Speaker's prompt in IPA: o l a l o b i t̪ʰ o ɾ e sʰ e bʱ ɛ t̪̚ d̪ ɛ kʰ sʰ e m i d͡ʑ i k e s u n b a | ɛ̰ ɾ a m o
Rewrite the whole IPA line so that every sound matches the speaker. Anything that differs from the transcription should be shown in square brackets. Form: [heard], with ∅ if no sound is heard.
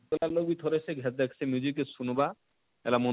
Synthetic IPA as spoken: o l a l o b i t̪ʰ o ɾ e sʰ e [ɡʱ] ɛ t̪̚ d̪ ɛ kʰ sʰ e m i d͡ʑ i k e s u n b a | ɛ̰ [l] a m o